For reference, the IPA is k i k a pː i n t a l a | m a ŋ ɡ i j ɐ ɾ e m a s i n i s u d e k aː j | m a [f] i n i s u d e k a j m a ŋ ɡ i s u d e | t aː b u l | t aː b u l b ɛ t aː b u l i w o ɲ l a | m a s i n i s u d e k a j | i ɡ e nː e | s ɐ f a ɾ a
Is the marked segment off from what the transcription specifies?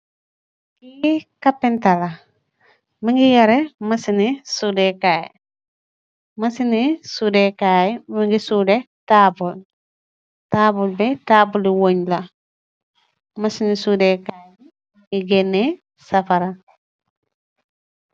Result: yes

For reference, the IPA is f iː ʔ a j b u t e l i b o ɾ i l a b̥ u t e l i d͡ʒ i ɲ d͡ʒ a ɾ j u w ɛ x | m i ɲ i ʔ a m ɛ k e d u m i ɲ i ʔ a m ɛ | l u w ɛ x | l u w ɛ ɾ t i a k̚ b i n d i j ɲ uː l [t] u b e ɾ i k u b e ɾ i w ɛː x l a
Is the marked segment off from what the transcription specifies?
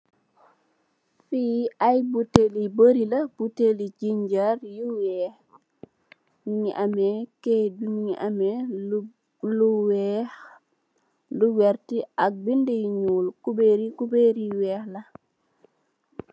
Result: yes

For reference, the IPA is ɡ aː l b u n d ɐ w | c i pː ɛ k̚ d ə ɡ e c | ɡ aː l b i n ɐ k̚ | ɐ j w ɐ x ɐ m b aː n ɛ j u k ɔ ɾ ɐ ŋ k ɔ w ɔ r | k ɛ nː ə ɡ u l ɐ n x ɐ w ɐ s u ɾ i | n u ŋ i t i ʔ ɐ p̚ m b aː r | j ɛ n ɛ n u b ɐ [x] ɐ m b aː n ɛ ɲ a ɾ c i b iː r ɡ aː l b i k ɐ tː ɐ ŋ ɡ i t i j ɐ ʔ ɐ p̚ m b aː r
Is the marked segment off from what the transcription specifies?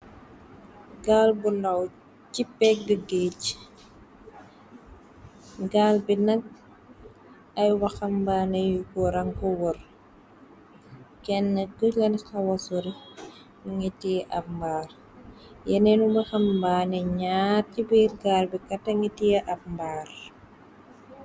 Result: no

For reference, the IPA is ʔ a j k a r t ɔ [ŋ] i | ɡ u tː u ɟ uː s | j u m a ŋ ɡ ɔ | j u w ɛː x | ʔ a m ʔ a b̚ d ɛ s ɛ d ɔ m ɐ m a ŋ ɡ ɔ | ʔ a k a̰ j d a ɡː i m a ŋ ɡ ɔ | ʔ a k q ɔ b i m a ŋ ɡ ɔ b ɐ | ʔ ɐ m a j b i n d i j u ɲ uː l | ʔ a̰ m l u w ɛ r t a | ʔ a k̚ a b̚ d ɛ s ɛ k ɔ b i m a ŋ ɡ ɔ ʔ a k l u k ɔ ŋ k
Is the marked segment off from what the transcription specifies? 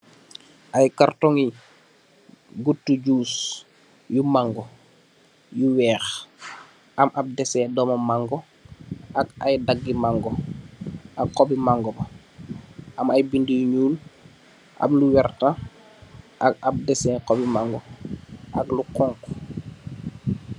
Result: no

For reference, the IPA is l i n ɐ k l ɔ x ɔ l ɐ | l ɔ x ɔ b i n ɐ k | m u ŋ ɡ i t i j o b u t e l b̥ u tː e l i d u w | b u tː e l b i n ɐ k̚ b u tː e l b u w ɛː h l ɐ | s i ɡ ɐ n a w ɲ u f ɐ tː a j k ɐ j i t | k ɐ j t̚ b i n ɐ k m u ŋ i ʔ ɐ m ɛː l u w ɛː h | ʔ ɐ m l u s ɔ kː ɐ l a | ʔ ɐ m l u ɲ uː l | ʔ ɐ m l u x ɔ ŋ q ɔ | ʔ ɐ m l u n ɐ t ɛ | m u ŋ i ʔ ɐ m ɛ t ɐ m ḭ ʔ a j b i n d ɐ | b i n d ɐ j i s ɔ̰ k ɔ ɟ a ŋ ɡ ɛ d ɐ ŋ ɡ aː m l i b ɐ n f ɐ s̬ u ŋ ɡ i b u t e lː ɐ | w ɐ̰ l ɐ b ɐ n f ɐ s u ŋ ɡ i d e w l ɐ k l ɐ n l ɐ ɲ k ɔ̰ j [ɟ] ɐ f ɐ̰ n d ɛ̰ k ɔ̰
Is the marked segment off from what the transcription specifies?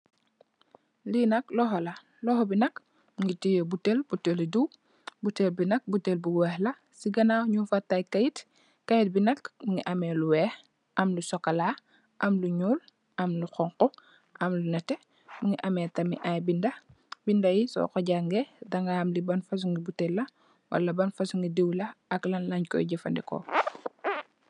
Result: no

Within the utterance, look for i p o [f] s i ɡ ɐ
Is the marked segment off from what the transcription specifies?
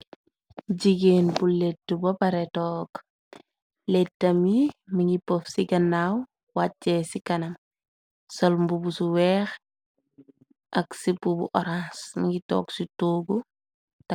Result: no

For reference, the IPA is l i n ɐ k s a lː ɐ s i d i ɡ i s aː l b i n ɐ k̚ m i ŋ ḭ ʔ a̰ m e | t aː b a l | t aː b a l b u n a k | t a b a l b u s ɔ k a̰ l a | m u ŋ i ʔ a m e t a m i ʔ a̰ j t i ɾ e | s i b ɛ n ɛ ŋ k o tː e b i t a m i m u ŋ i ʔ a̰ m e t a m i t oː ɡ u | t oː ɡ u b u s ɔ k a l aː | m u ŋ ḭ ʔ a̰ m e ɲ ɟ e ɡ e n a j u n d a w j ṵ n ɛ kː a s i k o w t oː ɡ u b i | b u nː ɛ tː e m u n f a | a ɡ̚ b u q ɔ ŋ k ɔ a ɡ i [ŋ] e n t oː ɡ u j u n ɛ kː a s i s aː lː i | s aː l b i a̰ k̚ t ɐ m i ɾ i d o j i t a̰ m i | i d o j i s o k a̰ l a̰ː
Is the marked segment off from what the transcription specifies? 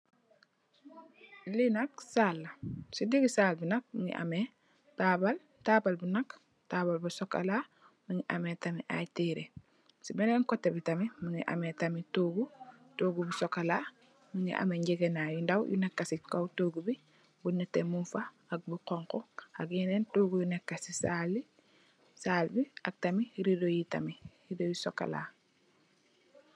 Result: yes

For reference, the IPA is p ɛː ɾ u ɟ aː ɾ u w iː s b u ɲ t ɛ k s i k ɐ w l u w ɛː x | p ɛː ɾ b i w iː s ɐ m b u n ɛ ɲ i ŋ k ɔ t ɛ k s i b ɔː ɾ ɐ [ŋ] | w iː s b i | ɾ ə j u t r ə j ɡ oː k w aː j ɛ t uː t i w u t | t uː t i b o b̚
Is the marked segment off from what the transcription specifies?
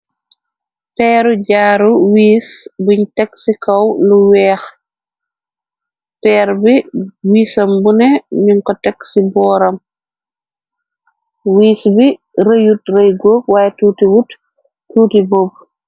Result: yes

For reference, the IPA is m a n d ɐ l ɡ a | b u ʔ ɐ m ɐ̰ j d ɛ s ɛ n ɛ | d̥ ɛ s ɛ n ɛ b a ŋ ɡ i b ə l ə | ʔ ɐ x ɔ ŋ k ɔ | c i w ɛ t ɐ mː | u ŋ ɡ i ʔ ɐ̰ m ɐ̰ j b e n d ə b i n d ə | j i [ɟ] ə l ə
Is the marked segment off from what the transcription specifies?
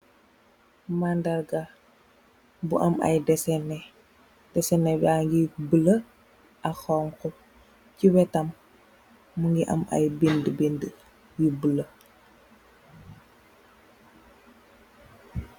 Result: yes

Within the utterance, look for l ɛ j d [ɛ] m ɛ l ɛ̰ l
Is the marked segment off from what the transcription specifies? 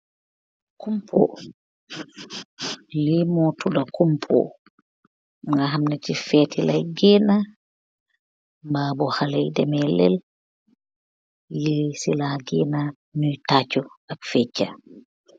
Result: no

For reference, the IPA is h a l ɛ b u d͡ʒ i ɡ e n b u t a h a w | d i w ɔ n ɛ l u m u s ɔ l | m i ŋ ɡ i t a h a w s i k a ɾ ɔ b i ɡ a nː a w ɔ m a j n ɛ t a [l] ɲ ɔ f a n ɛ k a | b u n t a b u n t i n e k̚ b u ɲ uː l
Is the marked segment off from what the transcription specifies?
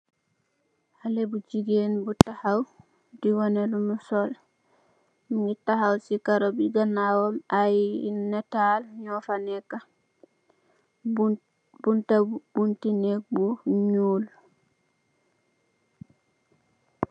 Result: no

